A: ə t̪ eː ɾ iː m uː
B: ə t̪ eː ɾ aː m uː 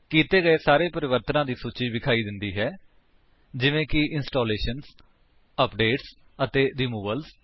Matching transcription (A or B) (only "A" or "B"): A